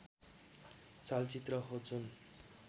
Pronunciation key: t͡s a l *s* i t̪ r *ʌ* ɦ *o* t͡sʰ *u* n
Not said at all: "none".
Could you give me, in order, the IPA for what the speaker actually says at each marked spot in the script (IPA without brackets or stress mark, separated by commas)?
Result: t͡s, ʌ, o, u